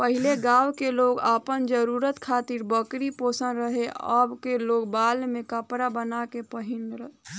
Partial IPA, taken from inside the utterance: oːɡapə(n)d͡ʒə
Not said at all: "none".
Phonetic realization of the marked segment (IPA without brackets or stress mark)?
n